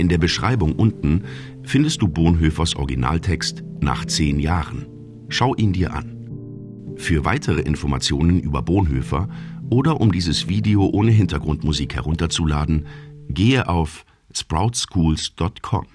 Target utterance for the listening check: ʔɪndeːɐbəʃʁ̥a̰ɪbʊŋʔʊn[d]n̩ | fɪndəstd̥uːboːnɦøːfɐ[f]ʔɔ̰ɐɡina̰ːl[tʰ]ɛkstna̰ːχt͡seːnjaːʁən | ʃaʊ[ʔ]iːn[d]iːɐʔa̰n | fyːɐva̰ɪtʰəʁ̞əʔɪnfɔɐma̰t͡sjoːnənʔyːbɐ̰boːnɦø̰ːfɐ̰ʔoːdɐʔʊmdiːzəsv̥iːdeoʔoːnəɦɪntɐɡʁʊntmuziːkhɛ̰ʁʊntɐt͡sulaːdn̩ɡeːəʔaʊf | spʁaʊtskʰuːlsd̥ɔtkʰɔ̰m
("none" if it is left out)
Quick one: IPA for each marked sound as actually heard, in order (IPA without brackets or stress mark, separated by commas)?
t, s, tʰ, ʔ, d